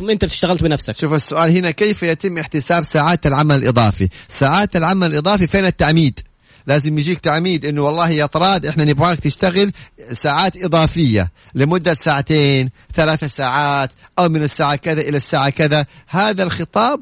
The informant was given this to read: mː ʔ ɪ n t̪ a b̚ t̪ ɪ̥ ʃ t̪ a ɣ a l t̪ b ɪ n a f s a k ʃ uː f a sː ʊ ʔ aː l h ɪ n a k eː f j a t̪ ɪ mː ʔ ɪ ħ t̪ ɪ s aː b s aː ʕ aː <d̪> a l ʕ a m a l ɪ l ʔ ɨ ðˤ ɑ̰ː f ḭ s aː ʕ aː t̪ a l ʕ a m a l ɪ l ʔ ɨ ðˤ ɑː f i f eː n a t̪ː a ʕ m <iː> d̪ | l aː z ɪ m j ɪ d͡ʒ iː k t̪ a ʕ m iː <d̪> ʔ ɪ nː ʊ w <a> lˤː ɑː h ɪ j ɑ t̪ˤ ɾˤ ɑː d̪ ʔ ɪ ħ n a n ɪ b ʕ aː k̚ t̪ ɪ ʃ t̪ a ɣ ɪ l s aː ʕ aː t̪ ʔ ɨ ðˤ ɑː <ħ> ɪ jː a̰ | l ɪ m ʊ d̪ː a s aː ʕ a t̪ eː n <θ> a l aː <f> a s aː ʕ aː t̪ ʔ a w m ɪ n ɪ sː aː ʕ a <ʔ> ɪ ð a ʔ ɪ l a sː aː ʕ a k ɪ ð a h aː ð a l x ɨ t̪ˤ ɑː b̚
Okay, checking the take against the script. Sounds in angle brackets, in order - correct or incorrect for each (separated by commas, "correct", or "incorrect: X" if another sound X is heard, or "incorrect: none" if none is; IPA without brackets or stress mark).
incorrect: t̪, correct, correct, incorrect: ɑ, incorrect: f, correct, incorrect: θ, incorrect: k